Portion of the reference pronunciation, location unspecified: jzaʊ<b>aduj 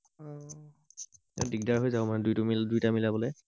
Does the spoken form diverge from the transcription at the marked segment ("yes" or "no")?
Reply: yes